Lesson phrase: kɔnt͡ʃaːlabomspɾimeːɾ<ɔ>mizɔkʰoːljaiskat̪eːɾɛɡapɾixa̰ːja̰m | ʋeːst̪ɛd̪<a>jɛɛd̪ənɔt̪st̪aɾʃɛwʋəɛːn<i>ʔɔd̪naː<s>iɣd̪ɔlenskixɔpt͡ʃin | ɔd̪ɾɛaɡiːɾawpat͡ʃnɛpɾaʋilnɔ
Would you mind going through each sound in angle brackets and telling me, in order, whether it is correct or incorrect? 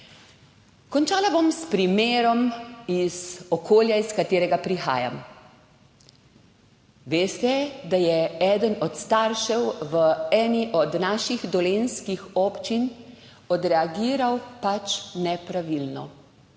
correct, correct, correct, incorrect: ʃ

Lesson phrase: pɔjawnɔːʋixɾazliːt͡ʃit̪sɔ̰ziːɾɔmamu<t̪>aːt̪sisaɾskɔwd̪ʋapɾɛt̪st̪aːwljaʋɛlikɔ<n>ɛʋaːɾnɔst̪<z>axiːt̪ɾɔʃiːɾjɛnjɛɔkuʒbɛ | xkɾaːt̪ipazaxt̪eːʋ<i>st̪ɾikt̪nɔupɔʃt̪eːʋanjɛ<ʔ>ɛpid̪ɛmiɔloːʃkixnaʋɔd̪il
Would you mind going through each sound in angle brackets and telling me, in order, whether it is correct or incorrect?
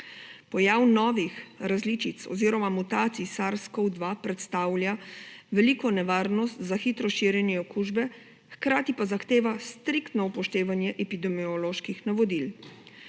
correct, correct, correct, incorrect: a, correct

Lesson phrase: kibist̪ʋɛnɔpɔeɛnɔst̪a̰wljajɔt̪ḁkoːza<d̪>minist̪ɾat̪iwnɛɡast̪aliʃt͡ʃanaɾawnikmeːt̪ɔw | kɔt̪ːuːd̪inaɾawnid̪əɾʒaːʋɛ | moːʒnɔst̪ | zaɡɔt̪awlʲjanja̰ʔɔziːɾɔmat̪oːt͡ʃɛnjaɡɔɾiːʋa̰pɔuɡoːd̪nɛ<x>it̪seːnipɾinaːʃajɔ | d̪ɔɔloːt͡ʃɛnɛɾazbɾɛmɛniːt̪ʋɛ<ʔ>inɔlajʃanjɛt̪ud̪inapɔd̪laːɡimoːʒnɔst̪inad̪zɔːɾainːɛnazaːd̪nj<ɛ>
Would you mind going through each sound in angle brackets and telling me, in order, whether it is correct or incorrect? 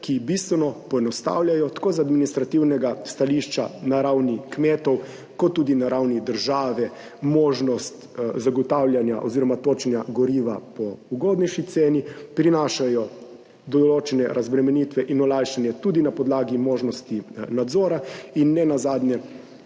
correct, incorrect: ʃ, correct, correct

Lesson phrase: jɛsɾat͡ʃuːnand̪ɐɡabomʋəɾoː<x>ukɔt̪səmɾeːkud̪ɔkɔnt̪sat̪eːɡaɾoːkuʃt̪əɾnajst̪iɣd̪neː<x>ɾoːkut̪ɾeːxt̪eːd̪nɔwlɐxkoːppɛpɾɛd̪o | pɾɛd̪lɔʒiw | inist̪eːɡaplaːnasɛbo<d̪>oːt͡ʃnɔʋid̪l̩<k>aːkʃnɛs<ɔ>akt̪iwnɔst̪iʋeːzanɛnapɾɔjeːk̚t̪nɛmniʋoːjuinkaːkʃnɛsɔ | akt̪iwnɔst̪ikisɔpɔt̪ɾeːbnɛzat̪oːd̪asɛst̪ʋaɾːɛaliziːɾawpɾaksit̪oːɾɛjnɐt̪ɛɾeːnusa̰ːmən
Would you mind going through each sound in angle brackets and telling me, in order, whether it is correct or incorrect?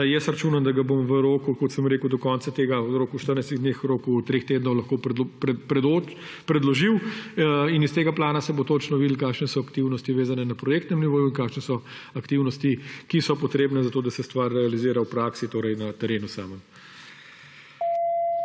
incorrect: k, correct, incorrect: t̪, correct, correct

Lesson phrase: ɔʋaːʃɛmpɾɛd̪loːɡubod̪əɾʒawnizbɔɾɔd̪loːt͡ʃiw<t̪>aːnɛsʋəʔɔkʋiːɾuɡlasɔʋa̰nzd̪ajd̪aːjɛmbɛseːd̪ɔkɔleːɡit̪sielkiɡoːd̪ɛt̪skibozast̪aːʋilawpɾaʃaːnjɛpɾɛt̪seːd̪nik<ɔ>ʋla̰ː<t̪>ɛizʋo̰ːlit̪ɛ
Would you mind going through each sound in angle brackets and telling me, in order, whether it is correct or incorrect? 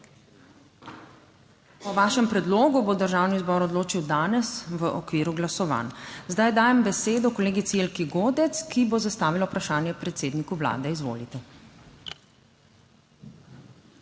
incorrect: d̪, incorrect: u, incorrect: d̪

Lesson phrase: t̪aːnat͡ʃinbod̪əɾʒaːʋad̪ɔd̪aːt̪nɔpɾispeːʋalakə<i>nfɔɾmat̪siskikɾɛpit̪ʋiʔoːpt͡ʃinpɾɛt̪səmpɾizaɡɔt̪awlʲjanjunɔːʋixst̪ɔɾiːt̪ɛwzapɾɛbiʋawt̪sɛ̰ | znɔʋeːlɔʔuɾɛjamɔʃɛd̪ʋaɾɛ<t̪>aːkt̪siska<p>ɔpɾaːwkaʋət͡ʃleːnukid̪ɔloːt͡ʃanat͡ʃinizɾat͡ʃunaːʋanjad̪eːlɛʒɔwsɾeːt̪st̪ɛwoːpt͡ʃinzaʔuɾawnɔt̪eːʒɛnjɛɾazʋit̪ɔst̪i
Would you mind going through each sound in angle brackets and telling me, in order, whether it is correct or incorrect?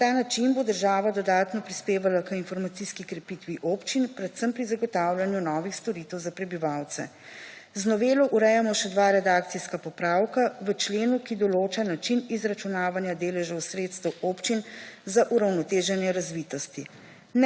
correct, incorrect: d̪, correct

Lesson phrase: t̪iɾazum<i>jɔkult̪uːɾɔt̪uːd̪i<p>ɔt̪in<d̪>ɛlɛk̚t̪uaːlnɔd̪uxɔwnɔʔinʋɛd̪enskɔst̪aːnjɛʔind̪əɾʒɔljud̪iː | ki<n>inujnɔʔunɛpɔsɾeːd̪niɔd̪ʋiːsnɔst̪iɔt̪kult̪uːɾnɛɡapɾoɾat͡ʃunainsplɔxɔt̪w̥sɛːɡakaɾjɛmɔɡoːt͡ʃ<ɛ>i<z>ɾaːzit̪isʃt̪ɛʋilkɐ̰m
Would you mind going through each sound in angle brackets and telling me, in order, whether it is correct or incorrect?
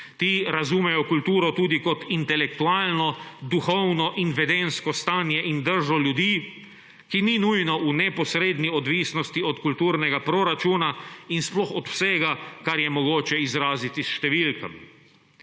incorrect: ɛ, incorrect: k, incorrect: t̪, correct, correct, correct

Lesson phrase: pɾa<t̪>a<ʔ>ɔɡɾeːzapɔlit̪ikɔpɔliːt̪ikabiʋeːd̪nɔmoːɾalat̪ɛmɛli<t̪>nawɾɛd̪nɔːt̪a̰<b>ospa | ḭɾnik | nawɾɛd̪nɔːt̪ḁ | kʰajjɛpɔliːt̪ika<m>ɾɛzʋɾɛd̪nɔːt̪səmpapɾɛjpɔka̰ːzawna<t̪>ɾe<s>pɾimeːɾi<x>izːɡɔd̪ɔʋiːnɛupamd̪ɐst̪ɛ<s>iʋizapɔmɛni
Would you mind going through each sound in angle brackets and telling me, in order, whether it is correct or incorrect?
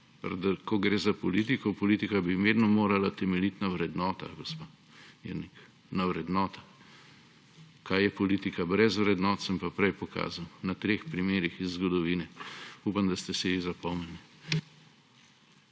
incorrect: d̪, incorrect: k, correct, incorrect: ɡ, incorrect: b, correct, incorrect: x, correct, correct

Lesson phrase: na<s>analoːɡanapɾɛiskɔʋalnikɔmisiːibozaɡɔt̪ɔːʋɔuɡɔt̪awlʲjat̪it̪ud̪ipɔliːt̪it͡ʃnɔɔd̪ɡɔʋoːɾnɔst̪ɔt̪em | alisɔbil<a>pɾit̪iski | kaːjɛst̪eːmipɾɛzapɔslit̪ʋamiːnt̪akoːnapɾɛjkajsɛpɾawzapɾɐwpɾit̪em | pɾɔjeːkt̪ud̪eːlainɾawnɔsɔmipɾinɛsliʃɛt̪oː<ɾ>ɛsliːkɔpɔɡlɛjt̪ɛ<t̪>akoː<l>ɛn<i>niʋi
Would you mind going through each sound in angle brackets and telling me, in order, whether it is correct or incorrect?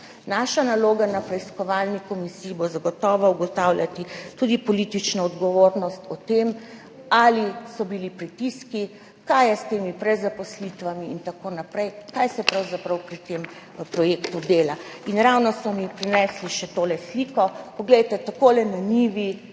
incorrect: ʃ, incorrect: i, incorrect: l, correct, correct, incorrect: a

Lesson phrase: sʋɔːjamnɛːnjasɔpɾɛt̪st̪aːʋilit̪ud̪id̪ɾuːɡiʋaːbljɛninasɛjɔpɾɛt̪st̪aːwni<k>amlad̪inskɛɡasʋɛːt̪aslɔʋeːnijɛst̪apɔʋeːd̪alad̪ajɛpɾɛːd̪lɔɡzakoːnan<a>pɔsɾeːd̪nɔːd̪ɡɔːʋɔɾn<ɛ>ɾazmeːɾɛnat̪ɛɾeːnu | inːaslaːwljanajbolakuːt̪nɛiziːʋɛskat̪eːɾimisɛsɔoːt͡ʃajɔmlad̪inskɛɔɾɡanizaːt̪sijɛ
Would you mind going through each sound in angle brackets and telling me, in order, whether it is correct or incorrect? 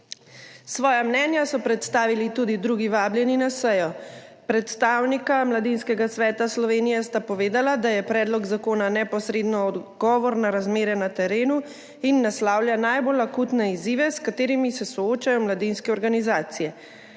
correct, incorrect: ɛ, incorrect: a

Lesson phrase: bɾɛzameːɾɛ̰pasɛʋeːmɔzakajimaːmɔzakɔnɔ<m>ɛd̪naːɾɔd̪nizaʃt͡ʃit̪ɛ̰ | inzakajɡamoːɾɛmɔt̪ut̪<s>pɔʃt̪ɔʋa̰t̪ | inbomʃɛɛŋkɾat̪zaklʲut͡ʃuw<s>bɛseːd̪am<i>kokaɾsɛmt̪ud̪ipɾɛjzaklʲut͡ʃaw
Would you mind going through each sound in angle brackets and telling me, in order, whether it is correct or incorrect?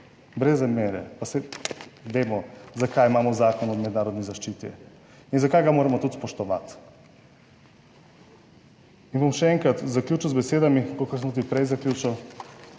correct, correct, incorrect: z, correct

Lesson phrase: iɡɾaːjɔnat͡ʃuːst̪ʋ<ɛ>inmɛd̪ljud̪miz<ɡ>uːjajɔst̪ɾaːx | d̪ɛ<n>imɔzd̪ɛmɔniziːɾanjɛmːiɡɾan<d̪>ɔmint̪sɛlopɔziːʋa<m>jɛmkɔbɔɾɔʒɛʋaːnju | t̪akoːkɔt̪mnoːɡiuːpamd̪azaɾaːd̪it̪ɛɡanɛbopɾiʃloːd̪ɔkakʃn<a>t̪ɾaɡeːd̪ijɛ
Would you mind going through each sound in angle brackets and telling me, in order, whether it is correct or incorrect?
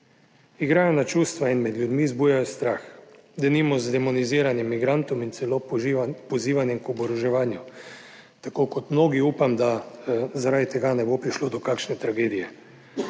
incorrect: a, incorrect: b, correct, incorrect: t̪, incorrect: n, incorrect: ɛ

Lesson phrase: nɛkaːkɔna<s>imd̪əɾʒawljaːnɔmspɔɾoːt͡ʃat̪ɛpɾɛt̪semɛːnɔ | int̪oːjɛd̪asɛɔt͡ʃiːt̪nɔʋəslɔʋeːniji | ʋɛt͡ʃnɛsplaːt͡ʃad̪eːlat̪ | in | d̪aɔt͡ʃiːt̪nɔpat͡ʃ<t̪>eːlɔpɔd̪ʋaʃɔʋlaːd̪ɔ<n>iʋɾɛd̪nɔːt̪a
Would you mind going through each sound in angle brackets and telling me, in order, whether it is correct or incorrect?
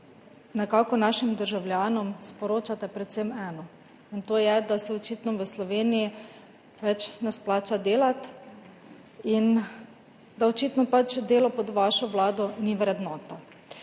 incorrect: ʃ, incorrect: d̪, correct

